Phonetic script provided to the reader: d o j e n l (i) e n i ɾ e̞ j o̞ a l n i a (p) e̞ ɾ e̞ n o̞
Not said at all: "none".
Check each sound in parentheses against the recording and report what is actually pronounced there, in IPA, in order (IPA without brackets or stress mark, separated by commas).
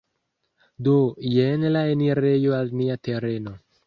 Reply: a, t